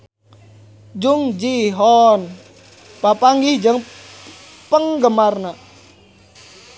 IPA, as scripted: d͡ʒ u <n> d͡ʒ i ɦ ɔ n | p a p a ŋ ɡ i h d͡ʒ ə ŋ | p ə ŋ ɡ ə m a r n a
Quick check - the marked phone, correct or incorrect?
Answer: incorrect